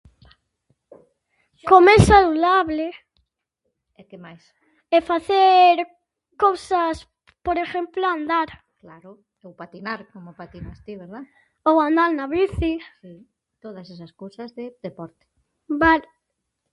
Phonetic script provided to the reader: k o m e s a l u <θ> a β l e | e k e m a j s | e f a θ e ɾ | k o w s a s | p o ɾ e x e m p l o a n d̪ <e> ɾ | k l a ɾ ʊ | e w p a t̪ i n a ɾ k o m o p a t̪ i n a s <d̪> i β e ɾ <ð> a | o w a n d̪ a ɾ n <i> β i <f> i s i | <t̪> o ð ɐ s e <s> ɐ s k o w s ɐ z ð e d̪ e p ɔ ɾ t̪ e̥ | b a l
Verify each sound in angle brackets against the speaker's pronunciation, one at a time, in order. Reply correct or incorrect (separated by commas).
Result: incorrect, incorrect, incorrect, correct, incorrect, incorrect, correct, correct